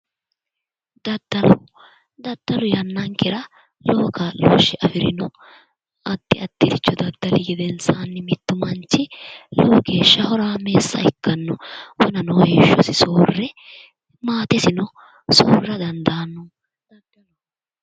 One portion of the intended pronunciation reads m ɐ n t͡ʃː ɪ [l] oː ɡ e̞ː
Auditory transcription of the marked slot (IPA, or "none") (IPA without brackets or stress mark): l